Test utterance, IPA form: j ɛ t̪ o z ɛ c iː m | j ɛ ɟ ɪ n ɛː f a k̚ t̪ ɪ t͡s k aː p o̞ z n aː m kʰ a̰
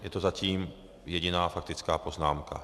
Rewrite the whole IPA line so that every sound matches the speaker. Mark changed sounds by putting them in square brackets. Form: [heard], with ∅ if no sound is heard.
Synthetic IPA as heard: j ɛ t̪ o z [a] c iː m | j ɛ ɟ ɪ n [aː] f a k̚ t̪ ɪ t͡s k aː p o̞ z n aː m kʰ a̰

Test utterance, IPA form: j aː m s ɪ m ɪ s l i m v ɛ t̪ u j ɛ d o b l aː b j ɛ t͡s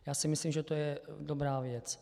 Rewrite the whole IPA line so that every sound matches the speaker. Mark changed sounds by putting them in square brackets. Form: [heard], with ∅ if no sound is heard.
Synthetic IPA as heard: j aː [∅] s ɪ m ɪ s l i m [ʒ] ɛ t̪ [o] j ɛ d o b [ɾ] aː [v] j ɛ t͡s

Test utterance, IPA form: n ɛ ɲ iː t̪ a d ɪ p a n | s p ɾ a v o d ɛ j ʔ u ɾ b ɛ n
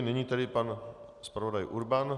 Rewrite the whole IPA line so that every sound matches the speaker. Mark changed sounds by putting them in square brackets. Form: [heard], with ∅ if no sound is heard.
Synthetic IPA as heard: n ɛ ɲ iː t̪ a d ɪ p a n | s p ɾ a v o d [a] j ʔ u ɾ b [a] n

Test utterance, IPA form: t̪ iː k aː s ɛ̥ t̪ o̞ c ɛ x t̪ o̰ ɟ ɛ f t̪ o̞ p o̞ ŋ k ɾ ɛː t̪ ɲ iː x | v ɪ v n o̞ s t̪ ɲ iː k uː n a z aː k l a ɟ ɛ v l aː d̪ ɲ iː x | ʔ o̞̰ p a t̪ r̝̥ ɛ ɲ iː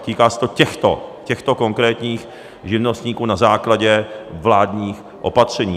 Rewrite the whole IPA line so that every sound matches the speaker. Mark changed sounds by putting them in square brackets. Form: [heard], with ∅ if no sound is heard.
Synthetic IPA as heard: t̪ iː k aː s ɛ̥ t̪ o̞ c ɛ x t̪ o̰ [c] ɛ [x] t̪ o̞ [k] o̞ ŋ k ɾ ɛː t̪ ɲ iː x | [ʒ] ɪ v n o̞ s t̪ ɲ iː k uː n a z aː k l a ɟ ɛ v l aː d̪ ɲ iː x | ʔ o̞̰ p a t̪ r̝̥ ɛ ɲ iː

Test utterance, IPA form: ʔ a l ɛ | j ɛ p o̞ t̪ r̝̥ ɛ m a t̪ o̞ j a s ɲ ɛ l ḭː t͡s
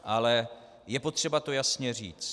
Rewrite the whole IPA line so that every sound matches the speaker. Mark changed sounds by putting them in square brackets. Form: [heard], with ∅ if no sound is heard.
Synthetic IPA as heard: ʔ a l ɛ | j ɛ p o̞ t̪ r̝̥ ɛ [b] a t̪ o̞ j a s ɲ ɛ [r] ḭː t͡s

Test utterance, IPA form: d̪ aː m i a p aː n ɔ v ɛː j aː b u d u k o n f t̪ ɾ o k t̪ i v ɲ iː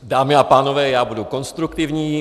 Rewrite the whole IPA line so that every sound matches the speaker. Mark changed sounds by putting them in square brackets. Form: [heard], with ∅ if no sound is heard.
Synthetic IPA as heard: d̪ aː m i a p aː n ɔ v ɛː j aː b u d u k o n [s] t̪ ɾ [u] k t̪ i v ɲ iː

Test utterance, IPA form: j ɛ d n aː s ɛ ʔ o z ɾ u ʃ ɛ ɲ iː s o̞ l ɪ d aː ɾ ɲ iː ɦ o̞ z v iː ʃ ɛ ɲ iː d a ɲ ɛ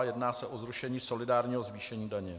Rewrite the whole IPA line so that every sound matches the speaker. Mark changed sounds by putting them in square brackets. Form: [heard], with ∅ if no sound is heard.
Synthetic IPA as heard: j ɛ d n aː s ɛ ʔ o z ɾ u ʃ ɛ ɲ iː s o̞ l ɪ d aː ɾ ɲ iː ɦ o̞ z v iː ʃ ɛ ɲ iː d a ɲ ɛ

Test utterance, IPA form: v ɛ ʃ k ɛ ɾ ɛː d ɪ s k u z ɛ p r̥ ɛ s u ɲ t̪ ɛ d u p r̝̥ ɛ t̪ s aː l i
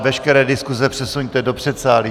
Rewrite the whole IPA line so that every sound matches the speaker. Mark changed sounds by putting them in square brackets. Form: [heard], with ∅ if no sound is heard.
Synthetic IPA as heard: v ɛ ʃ k ɛ ɾ ɛː d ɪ s k u z ɛ p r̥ ɛ s u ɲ t̪ ɛ d [o] p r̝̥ ɛ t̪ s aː l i

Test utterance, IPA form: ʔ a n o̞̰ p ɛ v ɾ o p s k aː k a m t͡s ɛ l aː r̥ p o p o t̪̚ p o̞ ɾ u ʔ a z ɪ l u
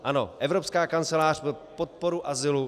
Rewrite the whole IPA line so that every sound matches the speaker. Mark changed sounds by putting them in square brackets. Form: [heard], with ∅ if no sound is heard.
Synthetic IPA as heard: ʔ a n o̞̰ [ʔ] ɛ v ɾ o p s k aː k a [n] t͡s ɛ l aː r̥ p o p o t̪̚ p o̞ ɾ u ʔ a z ɪ l u

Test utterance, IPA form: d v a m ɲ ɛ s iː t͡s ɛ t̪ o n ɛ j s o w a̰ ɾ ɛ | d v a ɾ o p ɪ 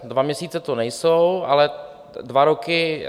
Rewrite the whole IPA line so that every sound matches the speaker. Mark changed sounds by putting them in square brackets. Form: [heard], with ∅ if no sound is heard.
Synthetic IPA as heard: d v a m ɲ ɛ s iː t͡s ɛ t̪ o n ɛ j s o w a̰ [l] ɛ | d v a ɾ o [k] ɪ

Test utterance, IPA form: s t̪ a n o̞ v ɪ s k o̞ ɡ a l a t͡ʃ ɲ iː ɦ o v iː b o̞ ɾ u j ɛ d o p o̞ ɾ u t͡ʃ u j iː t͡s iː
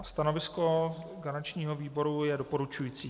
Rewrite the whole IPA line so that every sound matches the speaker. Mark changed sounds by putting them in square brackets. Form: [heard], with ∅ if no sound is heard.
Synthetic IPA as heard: s t̪ a n o̞ v ɪ s k o̞ ɡ a [ɾ] a t͡ʃ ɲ iː ɦ o v iː b o̞ ɾ u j ɛ d o p o̞ ɾ u t͡ʃ u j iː t͡s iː

